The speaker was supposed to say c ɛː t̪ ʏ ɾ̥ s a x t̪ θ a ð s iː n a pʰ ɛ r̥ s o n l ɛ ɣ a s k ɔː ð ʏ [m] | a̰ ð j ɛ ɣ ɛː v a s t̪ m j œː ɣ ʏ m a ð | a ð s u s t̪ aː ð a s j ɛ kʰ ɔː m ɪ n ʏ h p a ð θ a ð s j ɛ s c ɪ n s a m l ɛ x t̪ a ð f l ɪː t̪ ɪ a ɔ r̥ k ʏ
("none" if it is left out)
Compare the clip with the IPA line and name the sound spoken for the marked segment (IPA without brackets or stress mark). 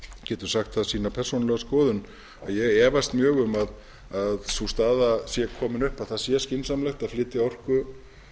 n